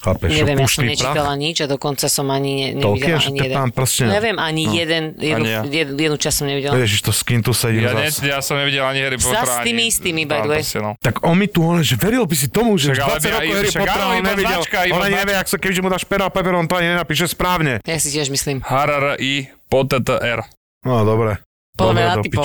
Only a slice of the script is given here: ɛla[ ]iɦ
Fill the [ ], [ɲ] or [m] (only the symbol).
ɲ